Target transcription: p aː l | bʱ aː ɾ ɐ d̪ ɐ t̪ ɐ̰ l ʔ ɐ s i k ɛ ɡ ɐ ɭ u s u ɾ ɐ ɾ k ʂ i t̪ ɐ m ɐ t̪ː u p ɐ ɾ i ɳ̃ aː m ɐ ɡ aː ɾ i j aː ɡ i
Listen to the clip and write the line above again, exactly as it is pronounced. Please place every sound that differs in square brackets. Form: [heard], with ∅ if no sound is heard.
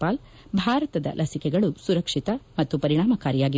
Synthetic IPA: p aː l | bʱ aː ɾ ɐ [t̪] ɐ [d̪] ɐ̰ l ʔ ɐ s i k ɛ ɡ ɐ ɭ u s u ɾ ɐ [∅] k ʂ i t̪ ɐ m ɐ t̪ː u p ɐ ɾ i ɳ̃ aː m ɐ [k] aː ɾ i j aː ɡ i